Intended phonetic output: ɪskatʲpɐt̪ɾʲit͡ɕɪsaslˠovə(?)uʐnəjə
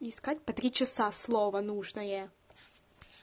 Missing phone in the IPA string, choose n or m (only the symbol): n